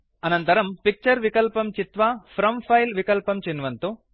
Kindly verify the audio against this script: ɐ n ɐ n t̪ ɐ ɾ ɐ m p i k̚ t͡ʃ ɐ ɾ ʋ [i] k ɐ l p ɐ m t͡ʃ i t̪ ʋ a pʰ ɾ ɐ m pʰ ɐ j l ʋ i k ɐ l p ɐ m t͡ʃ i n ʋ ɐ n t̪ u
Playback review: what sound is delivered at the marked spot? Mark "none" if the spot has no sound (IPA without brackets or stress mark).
i